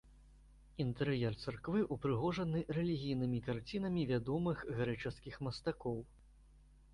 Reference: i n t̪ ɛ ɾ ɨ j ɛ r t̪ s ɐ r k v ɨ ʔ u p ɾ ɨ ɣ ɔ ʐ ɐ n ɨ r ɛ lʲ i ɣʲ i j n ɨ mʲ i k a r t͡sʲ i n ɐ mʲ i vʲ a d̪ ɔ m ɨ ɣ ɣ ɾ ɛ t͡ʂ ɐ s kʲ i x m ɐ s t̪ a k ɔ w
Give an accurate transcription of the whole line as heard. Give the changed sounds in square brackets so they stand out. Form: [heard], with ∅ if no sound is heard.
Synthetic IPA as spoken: i n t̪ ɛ ɾ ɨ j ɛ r t̪ s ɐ r k v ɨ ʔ u p ɾ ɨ ɣ ɔ ʐ ɐ n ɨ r ɛ lʲ i ɣʲ i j n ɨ mʲ i k a r t͡sʲ i n ɐ mʲ i vʲ a d̪ ɔ m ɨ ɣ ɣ ɾ ɛ t͡ʂ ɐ s kʲ i x m ɐ s t̪ a k ɔ w